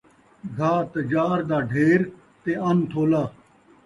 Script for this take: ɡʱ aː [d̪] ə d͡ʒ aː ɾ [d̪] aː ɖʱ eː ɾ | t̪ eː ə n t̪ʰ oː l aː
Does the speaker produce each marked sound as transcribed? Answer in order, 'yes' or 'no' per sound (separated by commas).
no, yes